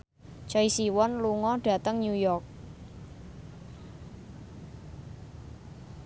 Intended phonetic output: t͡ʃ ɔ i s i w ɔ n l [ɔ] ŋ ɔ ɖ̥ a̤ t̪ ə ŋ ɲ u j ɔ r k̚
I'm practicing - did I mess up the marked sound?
yes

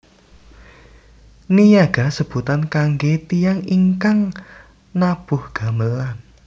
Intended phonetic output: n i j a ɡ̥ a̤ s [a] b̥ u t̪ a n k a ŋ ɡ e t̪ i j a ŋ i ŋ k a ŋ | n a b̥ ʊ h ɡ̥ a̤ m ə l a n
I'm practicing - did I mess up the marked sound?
yes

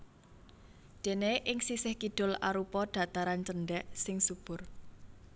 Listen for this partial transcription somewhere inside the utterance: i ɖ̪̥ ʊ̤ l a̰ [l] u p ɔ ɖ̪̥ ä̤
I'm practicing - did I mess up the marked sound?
yes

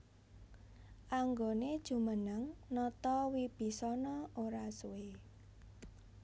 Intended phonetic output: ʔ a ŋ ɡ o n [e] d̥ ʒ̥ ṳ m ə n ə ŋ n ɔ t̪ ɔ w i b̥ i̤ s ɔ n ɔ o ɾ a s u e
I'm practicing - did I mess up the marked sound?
no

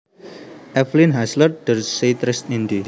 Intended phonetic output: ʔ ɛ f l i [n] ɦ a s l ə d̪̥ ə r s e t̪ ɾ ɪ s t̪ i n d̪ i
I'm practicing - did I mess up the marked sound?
no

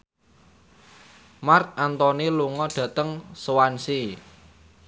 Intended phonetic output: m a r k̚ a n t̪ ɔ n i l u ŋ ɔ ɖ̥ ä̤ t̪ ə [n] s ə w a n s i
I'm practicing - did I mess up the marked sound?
yes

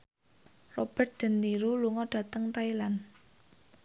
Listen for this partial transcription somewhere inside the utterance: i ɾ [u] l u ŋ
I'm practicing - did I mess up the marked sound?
no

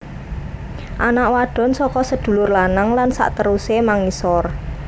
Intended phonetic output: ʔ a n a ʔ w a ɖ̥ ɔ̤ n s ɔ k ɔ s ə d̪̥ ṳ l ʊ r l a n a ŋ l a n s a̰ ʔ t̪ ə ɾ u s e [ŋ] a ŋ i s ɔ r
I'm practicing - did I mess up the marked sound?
yes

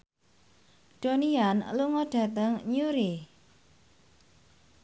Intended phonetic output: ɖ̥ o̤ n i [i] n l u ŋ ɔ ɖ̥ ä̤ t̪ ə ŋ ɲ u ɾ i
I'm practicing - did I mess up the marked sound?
yes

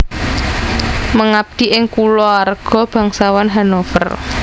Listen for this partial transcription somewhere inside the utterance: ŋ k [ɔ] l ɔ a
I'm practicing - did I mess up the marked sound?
yes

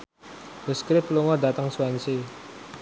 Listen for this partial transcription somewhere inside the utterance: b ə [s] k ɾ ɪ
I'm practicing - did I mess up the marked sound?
no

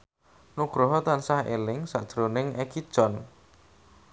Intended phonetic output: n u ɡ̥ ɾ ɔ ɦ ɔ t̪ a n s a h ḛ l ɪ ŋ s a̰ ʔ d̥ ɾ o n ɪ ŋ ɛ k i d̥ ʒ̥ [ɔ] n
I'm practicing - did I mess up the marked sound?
no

